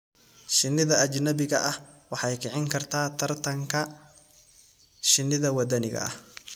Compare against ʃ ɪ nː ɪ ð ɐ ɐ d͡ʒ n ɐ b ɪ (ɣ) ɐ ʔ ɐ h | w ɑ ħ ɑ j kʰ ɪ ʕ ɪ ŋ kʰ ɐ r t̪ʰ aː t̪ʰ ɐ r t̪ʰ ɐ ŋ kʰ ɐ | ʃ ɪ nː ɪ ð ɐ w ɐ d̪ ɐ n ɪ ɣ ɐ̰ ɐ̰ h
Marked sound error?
no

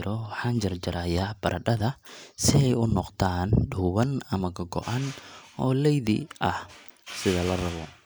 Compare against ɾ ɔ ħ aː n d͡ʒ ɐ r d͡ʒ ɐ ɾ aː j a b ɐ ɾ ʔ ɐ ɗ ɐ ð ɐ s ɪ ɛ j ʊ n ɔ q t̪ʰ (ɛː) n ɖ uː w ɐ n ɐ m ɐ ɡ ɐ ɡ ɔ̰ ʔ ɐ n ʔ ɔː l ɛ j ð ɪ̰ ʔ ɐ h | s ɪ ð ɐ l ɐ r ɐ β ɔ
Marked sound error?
yes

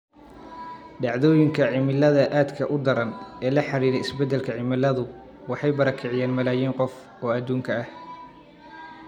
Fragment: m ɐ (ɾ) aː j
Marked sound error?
yes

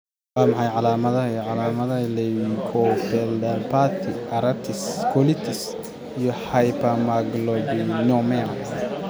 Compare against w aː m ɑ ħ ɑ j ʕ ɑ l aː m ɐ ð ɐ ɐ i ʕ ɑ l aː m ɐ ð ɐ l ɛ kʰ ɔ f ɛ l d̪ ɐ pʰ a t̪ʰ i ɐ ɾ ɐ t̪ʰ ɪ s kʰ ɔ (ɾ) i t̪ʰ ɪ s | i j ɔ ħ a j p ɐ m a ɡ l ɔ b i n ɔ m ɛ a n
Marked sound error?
yes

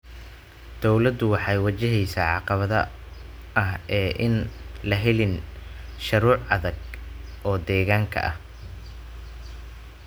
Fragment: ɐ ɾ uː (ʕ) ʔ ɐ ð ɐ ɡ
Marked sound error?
no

